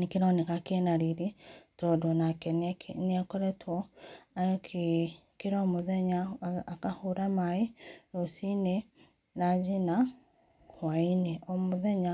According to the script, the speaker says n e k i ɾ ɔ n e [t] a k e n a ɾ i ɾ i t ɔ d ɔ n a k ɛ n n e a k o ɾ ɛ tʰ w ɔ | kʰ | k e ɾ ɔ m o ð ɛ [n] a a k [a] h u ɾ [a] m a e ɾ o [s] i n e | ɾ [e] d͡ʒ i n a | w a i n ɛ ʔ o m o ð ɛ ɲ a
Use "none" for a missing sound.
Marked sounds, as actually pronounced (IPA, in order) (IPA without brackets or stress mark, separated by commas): k, ɲ, a, a, s, a